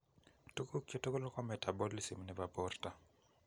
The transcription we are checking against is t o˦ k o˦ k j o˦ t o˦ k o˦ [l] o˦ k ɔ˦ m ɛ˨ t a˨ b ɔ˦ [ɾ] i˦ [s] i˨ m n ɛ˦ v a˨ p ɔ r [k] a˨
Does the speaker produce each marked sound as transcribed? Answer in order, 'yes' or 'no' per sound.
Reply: yes, no, yes, no

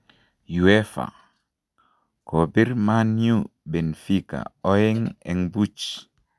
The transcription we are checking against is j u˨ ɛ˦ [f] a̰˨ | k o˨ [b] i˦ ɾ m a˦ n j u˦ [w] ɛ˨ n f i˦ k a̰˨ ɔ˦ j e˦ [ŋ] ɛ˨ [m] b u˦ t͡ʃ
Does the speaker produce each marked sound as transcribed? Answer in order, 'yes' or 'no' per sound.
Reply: yes, yes, no, yes, no

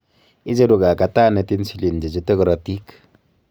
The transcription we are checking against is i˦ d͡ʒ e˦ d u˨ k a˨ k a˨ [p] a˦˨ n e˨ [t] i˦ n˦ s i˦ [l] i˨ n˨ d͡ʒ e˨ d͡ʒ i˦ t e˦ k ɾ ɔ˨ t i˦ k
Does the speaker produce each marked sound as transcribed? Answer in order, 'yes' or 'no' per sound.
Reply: no, yes, yes

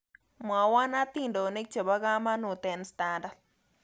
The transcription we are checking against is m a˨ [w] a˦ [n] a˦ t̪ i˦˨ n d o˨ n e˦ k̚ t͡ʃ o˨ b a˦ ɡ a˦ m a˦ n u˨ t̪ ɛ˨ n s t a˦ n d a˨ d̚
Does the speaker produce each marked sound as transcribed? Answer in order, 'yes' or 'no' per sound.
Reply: yes, yes

